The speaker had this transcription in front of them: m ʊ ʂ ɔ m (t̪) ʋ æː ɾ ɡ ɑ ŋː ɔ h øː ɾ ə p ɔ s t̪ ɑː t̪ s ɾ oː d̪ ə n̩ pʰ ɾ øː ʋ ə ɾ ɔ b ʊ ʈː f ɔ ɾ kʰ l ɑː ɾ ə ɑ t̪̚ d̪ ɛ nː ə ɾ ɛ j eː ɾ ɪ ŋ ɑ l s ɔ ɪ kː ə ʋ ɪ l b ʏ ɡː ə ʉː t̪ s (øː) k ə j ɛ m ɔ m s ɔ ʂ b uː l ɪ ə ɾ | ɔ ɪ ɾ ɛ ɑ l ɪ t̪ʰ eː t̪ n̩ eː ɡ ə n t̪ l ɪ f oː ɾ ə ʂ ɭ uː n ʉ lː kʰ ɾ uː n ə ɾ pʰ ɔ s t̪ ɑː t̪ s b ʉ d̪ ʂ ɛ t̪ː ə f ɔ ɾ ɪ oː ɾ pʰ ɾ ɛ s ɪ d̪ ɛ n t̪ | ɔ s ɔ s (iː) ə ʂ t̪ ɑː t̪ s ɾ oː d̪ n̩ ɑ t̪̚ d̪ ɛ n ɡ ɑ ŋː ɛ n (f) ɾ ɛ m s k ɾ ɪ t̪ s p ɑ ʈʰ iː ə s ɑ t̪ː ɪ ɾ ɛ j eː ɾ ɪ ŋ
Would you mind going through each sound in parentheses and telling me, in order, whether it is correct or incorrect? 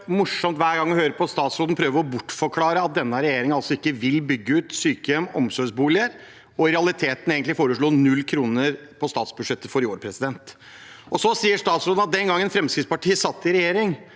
correct, incorrect: yː, correct, correct

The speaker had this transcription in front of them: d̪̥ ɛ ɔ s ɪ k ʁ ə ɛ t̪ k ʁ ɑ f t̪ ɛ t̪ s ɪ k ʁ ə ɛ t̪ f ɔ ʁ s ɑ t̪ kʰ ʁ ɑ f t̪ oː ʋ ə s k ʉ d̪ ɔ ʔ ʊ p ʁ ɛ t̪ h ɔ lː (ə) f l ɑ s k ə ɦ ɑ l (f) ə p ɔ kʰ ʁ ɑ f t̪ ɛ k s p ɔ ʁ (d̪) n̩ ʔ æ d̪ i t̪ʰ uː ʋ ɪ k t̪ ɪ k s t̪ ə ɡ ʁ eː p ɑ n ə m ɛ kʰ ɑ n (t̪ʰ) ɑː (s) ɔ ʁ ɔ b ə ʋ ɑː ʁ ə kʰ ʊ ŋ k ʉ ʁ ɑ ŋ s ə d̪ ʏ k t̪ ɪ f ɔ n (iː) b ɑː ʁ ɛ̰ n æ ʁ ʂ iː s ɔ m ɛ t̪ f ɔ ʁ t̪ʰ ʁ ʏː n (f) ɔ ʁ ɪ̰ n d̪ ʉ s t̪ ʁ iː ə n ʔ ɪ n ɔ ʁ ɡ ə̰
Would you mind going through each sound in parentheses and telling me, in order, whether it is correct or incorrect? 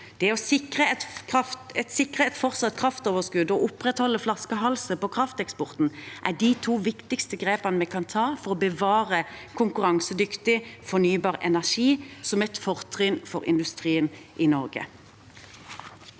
correct, incorrect: s, incorrect: t̪, correct, incorrect: f, incorrect: yː, correct

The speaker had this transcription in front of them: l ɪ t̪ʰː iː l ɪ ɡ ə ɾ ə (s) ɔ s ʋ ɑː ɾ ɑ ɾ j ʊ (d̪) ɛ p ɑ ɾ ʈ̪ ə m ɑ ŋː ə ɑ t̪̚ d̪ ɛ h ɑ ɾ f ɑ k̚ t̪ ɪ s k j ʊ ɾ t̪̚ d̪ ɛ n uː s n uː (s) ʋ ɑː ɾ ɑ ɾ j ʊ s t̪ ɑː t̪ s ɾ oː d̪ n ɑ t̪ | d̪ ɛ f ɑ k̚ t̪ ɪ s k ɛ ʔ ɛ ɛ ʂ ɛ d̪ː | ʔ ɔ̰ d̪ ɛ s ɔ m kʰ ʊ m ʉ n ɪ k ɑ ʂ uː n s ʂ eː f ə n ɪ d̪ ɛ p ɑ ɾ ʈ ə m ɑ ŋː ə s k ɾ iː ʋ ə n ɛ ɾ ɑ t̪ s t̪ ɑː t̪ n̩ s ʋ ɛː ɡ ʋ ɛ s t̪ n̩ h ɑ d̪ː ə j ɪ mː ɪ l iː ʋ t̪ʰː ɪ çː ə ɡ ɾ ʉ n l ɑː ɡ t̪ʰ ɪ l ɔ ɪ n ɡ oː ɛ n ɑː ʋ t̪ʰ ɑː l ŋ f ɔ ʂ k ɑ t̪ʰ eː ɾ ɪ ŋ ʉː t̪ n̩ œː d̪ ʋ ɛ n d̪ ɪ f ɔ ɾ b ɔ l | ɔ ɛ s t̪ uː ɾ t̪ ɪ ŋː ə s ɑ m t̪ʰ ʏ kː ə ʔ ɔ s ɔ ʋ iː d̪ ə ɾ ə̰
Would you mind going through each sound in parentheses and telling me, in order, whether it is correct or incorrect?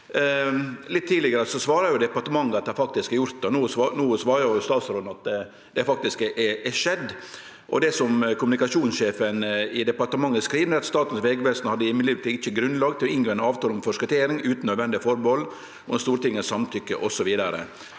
correct, correct, correct

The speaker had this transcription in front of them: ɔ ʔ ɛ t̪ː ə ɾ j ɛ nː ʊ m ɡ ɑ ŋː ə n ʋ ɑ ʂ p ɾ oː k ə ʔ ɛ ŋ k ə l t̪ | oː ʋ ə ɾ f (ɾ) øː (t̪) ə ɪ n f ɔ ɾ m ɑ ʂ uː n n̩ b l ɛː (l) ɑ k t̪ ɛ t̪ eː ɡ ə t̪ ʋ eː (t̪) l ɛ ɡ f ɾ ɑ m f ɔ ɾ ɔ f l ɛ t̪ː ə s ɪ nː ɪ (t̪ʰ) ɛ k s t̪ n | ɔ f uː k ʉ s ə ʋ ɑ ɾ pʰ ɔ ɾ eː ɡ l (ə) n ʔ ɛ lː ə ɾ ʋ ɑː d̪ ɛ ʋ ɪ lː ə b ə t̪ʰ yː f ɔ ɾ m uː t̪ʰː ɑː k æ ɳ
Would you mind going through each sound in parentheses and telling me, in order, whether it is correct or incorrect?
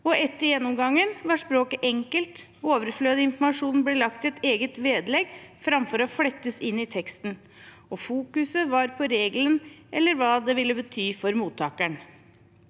incorrect: l, incorrect: d̪, correct, incorrect: d̪, correct, correct

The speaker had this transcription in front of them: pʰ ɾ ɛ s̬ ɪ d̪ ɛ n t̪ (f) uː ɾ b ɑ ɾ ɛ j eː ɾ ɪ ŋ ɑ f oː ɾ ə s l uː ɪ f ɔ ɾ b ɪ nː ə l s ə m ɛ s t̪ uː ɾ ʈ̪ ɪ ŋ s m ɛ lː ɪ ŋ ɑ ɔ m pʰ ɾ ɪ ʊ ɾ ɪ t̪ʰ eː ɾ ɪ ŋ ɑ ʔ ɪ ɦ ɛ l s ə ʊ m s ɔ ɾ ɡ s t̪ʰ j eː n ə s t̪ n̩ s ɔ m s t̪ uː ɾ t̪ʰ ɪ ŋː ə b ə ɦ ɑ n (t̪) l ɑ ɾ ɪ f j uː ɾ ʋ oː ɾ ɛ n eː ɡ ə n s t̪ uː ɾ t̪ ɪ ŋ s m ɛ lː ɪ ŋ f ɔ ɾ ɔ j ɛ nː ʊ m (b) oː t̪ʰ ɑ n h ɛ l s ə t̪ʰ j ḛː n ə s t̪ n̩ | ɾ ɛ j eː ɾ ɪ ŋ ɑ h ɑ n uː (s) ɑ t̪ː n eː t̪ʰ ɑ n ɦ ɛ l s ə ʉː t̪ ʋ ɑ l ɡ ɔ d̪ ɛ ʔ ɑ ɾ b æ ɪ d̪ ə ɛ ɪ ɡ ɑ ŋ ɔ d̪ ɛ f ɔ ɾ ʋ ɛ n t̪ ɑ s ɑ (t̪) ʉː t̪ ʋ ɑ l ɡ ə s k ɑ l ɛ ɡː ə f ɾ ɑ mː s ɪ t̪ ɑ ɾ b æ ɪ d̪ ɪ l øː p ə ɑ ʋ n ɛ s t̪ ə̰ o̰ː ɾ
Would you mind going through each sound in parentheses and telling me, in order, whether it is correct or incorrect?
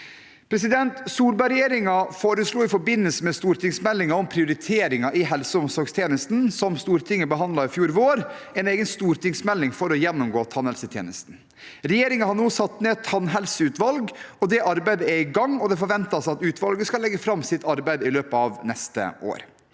incorrect: s, incorrect: d̪, incorrect: ɡ, correct, correct

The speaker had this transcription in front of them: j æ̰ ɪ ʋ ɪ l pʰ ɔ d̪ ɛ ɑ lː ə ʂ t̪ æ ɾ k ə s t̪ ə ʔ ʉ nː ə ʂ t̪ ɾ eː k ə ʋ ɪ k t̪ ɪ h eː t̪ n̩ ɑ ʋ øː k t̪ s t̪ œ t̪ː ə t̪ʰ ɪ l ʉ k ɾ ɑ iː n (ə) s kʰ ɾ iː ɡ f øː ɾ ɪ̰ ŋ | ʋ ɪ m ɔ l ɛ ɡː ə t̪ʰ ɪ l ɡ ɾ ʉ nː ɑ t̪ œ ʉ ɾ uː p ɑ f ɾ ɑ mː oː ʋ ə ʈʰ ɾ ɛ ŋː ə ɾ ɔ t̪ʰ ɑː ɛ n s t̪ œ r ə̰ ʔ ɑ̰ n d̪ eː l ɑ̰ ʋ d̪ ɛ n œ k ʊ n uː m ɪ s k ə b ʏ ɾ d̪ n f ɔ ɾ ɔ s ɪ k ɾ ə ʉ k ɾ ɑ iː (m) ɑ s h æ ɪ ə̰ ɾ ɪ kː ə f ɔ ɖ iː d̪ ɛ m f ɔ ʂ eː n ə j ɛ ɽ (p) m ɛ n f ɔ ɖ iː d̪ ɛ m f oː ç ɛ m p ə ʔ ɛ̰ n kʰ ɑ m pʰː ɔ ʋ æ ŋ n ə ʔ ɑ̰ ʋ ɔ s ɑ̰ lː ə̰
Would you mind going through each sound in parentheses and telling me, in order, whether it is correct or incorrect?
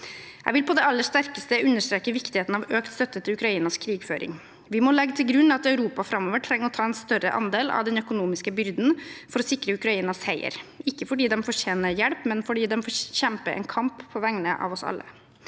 incorrect: ɑ, incorrect: n, correct

